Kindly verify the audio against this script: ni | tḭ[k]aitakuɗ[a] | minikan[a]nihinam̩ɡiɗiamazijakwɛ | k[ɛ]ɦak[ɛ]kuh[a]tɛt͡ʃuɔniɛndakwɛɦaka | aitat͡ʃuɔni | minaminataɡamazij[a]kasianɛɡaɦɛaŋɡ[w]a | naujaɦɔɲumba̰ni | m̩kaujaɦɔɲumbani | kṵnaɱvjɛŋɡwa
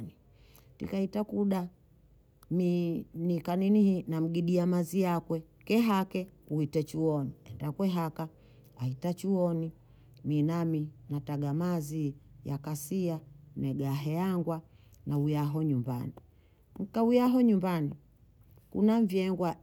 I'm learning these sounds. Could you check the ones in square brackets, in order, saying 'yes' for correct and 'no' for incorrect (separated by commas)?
yes, yes, no, yes, yes, no, yes, yes